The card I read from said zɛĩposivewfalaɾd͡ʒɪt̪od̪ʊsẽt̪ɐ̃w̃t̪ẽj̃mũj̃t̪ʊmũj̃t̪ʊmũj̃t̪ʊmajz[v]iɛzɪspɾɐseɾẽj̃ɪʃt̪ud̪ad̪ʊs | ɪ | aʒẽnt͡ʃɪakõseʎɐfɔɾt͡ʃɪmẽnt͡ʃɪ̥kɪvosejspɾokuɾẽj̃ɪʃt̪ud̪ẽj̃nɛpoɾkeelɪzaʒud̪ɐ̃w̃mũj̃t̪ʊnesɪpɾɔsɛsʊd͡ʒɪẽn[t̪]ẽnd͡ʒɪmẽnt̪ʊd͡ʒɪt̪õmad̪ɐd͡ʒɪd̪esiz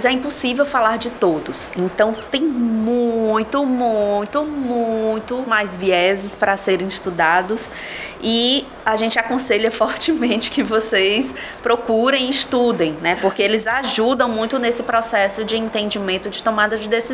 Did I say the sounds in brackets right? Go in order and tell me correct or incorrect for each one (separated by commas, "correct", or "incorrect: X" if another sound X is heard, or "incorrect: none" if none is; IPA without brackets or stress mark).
correct, correct